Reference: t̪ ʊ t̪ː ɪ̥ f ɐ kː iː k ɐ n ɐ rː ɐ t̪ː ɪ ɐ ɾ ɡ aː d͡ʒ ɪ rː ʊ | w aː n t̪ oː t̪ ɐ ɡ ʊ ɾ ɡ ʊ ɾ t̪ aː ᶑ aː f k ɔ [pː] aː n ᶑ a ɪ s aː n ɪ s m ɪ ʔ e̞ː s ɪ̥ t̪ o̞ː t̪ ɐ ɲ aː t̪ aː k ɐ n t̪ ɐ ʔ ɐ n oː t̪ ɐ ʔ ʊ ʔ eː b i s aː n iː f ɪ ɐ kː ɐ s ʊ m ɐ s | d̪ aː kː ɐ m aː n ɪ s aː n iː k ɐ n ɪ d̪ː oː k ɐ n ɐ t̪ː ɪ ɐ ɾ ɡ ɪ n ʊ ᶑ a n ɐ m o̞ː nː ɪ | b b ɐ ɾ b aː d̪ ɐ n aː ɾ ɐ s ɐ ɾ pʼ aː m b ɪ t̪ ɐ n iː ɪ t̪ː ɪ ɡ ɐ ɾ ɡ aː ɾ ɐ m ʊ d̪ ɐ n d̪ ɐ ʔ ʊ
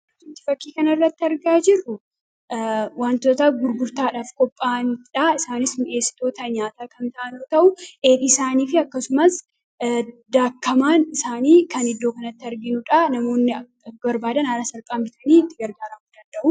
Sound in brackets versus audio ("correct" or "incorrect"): incorrect